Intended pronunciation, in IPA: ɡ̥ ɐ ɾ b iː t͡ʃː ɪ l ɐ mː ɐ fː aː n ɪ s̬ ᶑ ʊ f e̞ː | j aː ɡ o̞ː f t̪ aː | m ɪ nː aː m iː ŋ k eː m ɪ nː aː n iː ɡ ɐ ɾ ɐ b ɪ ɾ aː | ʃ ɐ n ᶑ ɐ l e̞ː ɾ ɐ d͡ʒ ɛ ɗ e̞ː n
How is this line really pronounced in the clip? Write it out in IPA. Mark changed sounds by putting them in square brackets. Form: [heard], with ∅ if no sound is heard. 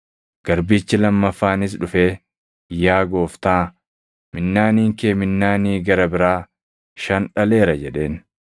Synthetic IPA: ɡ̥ ɐ ɾ b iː t͡ʃː ɪ l ɐ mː ɐ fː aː n ɪ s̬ ᶑ ʊ f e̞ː | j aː ɡ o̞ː f t̪ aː | m ɪ nː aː [n] iː ŋ k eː m ɪ nː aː n iː ɡ ɐ ɾ ɐ b ɪ ɾ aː | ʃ ɐ n ᶑ ɐ l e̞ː ɾ ɐ d͡ʒ ɛ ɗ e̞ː n